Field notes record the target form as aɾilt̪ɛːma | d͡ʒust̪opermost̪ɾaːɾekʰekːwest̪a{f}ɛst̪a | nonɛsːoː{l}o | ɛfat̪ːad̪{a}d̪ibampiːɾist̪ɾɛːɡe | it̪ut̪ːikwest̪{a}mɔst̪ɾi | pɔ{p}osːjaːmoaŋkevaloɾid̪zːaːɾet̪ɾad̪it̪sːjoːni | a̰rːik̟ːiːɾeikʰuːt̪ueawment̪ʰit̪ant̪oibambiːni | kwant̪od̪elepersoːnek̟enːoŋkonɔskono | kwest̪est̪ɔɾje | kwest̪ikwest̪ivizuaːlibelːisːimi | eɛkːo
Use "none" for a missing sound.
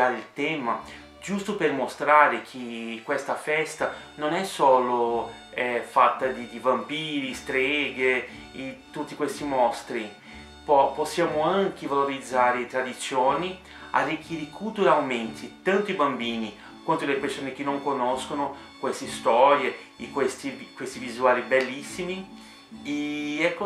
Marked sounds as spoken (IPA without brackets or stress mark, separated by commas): f, l, i, i, p